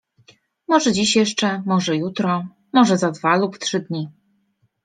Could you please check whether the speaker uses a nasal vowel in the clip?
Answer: no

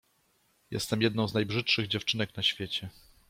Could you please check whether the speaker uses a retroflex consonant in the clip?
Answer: yes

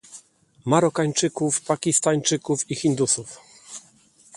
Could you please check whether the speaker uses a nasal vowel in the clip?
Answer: no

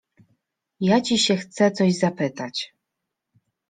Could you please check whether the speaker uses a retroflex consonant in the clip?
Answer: no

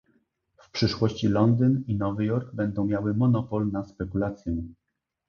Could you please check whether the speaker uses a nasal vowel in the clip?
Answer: yes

